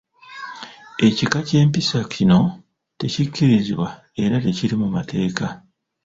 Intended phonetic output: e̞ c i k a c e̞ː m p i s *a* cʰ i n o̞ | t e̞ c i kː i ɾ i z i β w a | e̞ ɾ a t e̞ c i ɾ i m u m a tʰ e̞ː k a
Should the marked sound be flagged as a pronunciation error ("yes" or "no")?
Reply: no